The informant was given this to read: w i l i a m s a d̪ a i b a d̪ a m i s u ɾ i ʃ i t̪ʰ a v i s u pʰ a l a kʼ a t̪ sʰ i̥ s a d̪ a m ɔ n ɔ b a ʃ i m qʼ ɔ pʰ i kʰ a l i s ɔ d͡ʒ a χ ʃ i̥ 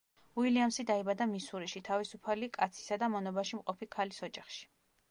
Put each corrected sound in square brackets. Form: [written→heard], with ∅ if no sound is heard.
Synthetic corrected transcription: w i l i a m s [a→i] d̪ a i b a d̪ a m i s u ɾ i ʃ i t̪ʰ a v i s u pʰ a l [a→i] kʼ a t̪ sʰ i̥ s a d̪ a m ɔ n ɔ b a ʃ i m qʼ ɔ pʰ i kʰ a l i s ɔ d͡ʒ a χ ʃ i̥

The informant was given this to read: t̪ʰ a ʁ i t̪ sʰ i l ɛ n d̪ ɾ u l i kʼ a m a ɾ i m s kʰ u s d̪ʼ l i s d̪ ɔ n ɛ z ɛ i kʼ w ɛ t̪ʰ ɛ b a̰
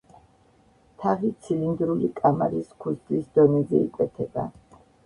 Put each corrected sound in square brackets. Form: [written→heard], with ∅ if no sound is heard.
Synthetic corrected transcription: t̪ʰ a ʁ i t̪ sʰ i l [ɛ→i] n d̪ ɾ u l i kʼ a m a ɾ i [m→∅] s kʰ u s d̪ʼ l i s d̪ ɔ n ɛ z ɛ i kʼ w ɛ t̪ʰ ɛ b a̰

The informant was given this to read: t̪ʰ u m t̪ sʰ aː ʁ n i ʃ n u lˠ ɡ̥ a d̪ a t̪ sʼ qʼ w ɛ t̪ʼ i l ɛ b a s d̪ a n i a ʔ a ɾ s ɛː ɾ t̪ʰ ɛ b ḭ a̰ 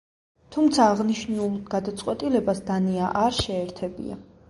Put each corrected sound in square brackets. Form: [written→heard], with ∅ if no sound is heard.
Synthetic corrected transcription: t̪ʰ u m t̪ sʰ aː ʁ n i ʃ n u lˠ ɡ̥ a d̪ a t̪ sʼ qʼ w ɛ t̪ʼ i l ɛ b a s d̪ a n i a ʔ a ɾ [s→ʃ] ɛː ɾ t̪ʰ ɛ b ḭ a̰

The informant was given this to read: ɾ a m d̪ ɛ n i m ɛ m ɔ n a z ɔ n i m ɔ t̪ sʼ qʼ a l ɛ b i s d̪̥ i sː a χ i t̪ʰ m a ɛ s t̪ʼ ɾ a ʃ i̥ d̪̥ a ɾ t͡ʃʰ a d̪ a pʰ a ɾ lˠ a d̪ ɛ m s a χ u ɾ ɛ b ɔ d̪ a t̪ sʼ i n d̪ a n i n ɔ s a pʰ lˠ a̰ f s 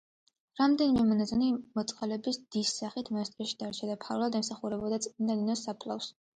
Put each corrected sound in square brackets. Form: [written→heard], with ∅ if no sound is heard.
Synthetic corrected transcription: ɾ a m d̪ ɛ n i m ɛ m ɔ n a z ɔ n i m ɔ t̪ sʼ qʼ a l ɛ b i s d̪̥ i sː a χ i t̪ʰ m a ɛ s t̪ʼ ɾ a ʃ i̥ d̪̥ a ɾ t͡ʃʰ a d̪ a pʰ a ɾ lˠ a d̪ ɛ m s a χ u ɾ ɛ b ɔ d̪ a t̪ sʼ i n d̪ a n i n ɔ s a pʰ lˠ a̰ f s

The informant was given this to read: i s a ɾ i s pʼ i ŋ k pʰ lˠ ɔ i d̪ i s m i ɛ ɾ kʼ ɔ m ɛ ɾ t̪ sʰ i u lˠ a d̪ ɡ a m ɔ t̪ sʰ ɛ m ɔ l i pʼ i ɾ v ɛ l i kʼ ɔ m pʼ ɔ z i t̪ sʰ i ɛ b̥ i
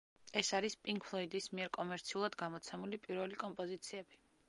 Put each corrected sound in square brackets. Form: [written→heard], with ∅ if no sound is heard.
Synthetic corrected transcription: [i→ɛ] s a ɾ i s pʼ i ŋ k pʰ lˠ ɔ i d̪ i s m i ɛ ɾ kʼ ɔ m ɛ ɾ t̪ sʰ i u lˠ a d̪ ɡ a m ɔ t̪ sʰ ɛ m [ɔ→u] l i pʼ i ɾ v ɛ l i kʼ ɔ m pʼ ɔ z i t̪ sʰ i ɛ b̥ i

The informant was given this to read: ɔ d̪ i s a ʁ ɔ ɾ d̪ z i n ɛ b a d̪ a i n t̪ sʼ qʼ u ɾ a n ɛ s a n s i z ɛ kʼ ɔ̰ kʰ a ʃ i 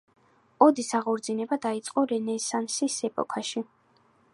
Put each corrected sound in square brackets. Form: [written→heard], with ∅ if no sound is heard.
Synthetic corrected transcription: ɔ d̪ i s a ʁ ɔ ɾ d̪ z i n ɛ b a d̪ a i [n→∅] t̪ sʼ qʼ [u→ɔ] ɾ [a→ɛ] n ɛ s a n s i [z→s] ɛ [kʼ→pʼ] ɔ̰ kʰ a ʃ i

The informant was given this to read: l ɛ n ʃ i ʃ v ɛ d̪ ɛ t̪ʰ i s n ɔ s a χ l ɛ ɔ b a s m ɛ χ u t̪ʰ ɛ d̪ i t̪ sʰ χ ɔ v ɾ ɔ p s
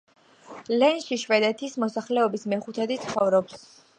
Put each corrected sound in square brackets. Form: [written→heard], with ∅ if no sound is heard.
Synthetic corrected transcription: l ɛ n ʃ i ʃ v ɛ d̪ ɛ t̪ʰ i s [n→m] ɔ s a χ l ɛ ɔ b [a→i] s m ɛ χ u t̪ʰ ɛ d̪ i t̪ sʰ χ ɔ v ɾ ɔ p s

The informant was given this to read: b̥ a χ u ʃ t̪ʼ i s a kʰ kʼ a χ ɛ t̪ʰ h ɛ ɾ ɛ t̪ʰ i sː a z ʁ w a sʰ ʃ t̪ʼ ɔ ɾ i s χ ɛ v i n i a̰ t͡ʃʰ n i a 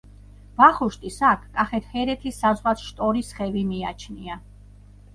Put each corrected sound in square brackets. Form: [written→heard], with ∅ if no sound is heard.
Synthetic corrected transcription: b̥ a χ u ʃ t̪ʼ i s a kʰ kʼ a χ ɛ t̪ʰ h ɛ ɾ ɛ t̪ʰ i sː a z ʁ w a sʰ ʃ t̪ʼ ɔ ɾ i s χ ɛ v i [n→m] i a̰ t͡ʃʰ n i a

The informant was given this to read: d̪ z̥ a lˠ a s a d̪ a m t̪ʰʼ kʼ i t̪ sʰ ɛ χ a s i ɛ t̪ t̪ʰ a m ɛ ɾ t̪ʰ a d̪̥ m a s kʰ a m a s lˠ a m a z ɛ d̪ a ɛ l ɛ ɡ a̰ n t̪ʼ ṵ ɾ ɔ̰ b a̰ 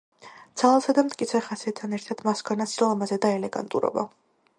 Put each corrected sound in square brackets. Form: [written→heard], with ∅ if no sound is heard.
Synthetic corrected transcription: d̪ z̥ a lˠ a s a d̪ a m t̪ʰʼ kʼ i t̪ sʰ ɛ χ a s i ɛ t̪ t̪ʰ a [m→n] ɛ ɾ t̪ʰ a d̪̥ m a s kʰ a [m→n] a s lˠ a m a z ɛ d̪ a ɛ l ɛ ɡ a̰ n t̪ʼ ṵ ɾ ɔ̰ b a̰

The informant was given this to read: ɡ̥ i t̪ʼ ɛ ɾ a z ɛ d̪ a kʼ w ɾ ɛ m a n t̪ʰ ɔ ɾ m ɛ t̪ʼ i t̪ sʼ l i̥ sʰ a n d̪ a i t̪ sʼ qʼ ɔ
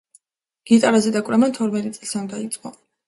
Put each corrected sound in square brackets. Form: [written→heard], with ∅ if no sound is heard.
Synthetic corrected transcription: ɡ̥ i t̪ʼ [ɛ→a] ɾ a z ɛ d̪ a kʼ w ɾ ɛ m a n t̪ʰ ɔ ɾ m ɛ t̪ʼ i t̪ sʼ l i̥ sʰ a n d̪ a i t̪ sʼ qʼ ɔ

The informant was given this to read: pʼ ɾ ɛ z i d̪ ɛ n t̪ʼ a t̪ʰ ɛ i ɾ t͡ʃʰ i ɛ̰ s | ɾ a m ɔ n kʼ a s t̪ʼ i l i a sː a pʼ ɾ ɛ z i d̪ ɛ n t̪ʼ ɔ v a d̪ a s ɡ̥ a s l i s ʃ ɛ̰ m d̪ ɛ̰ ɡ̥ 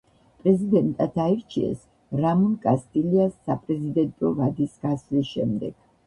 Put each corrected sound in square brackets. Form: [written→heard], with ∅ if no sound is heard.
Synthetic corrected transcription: pʼ ɾ ɛ z i d̪ ɛ n t̪ʼ a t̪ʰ [ɛ→a] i ɾ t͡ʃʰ i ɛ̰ s | ɾ a m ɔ n kʼ a s t̪ʼ i l i a sː a pʼ ɾ ɛ z i d̪ ɛ n t̪ʼ ɔ v a d̪ [a→i] s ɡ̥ a s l i s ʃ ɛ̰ m d̪ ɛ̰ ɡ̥

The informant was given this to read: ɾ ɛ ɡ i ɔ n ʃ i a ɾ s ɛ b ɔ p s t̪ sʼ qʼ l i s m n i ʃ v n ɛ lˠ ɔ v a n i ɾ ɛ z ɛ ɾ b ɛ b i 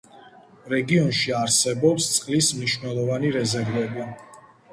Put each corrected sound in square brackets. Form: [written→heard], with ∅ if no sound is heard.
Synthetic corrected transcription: ɾ ɛ ɡ i ɔ n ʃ i a ɾ s ɛ b ɔ p s t̪ sʼ qʼ l i s m n i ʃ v n ɛ lˠ ɔ v a n i ɾ ɛ z ɛ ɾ [b→v] ɛ b i

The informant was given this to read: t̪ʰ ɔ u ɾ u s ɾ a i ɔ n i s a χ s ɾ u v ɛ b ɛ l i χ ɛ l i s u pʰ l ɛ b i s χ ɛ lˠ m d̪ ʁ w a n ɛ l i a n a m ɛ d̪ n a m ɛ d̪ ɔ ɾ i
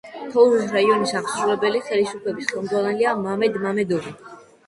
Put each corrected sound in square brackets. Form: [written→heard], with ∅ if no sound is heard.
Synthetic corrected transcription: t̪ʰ ɔ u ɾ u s ɾ a i ɔ n i s a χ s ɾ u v ɛ b ɛ l i χ ɛ l i s u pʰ l ɛ b i s χ ɛ lˠ m d̪ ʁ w a n ɛ l i a [n→m] a m ɛ d̪ [n→m] a m ɛ d̪ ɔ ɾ i

